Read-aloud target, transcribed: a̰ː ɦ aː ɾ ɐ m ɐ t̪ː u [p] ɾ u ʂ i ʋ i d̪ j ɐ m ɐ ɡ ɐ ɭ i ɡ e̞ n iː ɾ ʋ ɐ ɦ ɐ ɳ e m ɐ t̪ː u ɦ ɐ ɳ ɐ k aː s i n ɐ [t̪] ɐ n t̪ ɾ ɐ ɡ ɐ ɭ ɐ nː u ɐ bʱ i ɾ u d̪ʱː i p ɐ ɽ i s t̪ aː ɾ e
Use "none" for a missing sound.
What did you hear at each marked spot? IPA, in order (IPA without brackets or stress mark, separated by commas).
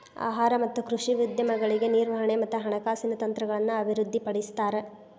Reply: k, t̪